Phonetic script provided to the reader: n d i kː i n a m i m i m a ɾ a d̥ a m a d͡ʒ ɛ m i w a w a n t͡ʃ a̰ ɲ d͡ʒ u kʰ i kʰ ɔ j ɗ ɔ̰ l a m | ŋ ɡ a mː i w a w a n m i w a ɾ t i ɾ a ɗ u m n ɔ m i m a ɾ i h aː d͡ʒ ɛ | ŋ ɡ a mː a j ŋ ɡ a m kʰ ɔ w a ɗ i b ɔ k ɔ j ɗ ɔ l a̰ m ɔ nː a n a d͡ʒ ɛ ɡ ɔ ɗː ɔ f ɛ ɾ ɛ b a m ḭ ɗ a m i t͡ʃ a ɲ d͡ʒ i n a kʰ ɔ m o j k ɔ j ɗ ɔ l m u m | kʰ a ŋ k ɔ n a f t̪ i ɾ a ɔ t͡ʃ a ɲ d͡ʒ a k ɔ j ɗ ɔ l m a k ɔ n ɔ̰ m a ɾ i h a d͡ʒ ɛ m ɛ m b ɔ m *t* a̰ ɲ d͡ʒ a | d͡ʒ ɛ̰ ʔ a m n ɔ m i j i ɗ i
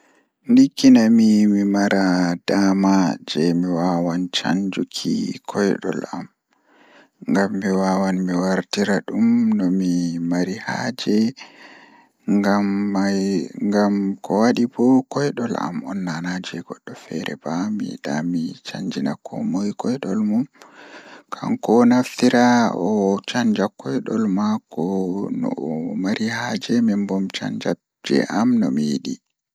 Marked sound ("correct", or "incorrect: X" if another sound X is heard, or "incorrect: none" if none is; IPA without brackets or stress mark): incorrect: t͡ʃ